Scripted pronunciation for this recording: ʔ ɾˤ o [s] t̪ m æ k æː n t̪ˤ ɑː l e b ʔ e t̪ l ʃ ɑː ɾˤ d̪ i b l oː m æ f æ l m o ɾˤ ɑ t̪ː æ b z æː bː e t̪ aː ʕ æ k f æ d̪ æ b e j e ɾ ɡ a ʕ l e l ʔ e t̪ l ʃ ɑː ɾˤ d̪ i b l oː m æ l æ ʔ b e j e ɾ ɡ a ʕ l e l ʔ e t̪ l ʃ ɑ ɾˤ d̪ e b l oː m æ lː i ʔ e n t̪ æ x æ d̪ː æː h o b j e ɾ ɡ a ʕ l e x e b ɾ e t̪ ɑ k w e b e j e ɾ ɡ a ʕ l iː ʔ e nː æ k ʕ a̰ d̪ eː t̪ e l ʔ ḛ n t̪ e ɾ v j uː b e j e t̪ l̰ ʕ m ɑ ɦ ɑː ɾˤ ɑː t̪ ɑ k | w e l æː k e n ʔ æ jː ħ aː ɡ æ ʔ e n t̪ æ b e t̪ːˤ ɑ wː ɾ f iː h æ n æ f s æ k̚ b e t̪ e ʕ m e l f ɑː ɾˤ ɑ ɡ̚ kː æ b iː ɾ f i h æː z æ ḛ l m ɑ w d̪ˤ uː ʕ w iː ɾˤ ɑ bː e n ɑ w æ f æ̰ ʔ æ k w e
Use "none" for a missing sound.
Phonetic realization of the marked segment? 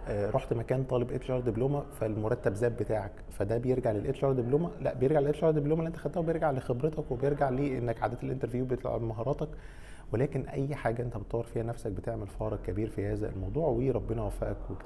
ħ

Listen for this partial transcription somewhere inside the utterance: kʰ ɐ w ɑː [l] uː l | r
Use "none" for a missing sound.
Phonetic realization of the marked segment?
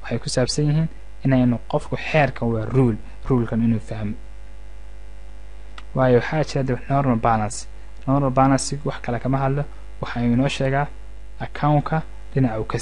r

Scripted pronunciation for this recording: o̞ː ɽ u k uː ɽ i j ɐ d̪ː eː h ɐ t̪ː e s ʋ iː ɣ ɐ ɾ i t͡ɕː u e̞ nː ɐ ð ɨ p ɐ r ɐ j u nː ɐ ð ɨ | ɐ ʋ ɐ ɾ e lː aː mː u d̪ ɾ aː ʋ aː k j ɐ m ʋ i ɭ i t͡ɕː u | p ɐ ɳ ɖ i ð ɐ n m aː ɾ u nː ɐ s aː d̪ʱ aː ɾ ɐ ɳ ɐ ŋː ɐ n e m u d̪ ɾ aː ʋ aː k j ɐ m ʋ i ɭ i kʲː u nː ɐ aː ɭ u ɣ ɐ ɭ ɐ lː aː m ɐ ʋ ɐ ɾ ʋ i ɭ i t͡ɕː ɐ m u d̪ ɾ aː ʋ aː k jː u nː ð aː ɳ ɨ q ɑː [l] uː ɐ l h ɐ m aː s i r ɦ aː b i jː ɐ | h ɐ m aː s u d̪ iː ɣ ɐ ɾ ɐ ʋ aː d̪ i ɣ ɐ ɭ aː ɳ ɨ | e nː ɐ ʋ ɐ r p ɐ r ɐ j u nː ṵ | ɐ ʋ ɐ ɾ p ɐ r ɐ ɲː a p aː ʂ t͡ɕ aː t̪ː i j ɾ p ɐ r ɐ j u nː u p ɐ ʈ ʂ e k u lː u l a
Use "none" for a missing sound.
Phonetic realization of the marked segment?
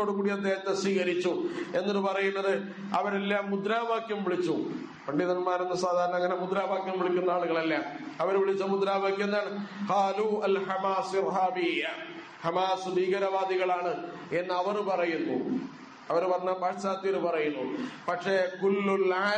l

